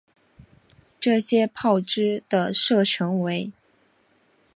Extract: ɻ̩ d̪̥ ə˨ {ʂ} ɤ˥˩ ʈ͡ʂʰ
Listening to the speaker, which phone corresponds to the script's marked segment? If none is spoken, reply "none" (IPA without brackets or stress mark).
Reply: ʂ